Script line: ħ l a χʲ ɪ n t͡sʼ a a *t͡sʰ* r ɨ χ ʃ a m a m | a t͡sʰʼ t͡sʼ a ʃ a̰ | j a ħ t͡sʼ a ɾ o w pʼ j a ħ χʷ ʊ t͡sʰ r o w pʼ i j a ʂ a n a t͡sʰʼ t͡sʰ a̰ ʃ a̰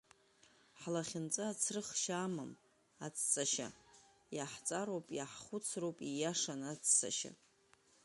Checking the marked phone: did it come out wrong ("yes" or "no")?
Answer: no